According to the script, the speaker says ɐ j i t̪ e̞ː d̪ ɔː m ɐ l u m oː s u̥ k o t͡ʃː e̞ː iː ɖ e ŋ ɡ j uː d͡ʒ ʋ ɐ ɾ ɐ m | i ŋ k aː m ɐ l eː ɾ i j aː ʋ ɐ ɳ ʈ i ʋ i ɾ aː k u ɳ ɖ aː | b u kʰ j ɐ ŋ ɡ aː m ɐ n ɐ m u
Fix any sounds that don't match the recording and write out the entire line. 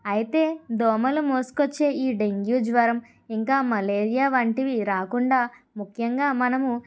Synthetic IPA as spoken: ɐ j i t̪ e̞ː d̪ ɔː m ɐ l u m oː s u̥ k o t͡ʃː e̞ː iː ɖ e ŋ ɡ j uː d͡ʒ ʋ ɐ ɾ ɐ m | i ŋ k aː m ɐ l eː ɾ i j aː ʋ ɐ ɳ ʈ i ʋ i ɾ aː k u ɳ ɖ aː | m u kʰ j ɐ ŋ ɡ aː m ɐ n ɐ m u